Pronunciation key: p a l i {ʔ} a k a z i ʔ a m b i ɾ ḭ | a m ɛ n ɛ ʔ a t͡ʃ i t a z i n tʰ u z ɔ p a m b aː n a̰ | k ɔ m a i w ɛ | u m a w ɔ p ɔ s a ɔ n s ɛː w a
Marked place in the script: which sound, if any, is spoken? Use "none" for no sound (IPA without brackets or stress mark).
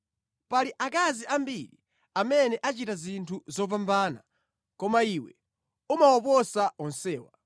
ʔ